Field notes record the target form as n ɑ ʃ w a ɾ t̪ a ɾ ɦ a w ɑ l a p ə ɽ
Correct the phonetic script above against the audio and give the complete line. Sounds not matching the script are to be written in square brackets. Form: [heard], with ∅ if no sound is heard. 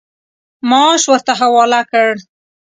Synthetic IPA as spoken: [m] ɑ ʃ w [ə] ɾ t̪ a [∅] ɦ a w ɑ l a [k] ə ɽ